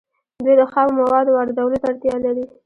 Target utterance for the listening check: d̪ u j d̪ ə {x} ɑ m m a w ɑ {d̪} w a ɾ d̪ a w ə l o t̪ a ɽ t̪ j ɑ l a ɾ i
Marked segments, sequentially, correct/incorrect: correct, correct

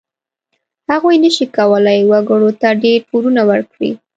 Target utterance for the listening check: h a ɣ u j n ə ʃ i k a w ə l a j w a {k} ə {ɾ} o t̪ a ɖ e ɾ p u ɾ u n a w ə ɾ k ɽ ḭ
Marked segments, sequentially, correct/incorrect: incorrect: ɡ, incorrect: ɽ

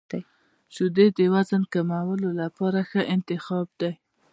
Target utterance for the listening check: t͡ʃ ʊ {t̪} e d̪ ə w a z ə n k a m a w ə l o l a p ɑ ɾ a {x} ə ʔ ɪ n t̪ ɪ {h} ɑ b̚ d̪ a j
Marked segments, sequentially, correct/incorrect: incorrect: d̪, correct, incorrect: x

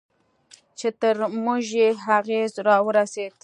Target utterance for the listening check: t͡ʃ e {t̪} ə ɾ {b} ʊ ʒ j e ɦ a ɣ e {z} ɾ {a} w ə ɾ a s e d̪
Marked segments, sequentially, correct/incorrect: correct, incorrect: m, correct, incorrect: ɑ

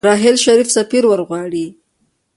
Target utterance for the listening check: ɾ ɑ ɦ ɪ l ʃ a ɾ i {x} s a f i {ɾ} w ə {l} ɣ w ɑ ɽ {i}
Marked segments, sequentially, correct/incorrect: incorrect: f, correct, incorrect: ɾ, correct

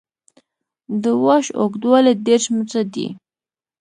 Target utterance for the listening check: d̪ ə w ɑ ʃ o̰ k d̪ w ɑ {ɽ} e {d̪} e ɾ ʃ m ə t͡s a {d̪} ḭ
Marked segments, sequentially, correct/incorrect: incorrect: l, correct, correct

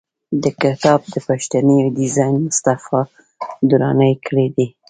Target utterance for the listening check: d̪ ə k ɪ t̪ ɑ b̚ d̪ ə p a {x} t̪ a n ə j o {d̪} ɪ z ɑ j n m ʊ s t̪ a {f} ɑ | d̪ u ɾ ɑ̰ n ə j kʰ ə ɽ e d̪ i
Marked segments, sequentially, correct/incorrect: incorrect: ʃ, correct, correct

